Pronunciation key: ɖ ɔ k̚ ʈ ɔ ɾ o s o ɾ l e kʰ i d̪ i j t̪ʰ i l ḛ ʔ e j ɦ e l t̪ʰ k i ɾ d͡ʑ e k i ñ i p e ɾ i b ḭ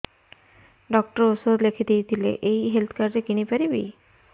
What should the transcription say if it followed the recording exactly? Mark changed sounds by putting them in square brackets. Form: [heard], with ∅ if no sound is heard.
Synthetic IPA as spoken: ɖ ɔ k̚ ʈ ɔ ɾ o s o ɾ l e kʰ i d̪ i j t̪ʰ i l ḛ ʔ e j ɦ e l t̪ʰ k [a] ɾ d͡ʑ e k i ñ i p [a] ɾ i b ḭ